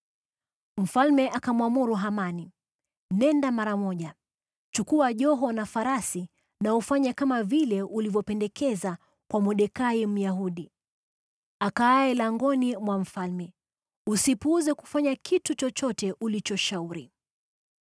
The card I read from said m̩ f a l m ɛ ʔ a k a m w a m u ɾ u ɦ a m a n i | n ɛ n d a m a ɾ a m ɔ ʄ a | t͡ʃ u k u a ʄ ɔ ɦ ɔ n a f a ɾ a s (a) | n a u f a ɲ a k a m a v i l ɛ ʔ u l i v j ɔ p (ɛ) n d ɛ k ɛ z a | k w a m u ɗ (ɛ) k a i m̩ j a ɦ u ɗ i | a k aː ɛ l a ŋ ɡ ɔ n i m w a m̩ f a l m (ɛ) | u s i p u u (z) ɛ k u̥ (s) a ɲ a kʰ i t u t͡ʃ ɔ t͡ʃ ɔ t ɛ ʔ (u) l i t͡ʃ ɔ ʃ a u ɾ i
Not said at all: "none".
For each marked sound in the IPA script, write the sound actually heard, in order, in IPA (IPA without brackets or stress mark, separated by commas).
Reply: i, ɛ, ɛ, ɛ, z, f, u